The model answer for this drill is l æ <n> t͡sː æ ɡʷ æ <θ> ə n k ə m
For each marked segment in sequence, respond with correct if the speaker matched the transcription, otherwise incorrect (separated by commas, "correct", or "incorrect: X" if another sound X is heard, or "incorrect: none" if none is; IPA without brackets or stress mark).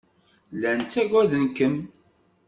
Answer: correct, incorrect: ð